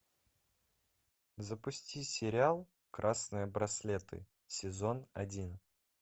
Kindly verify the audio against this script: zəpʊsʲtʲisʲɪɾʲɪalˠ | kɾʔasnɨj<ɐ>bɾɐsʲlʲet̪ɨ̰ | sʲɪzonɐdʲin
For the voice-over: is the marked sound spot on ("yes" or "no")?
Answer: no